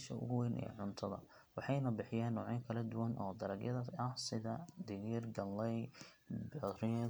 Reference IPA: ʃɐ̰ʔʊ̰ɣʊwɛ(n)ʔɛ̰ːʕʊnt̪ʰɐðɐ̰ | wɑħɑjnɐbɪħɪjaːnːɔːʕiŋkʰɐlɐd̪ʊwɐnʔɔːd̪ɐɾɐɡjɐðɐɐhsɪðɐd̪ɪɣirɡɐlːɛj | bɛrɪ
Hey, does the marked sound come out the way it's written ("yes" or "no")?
yes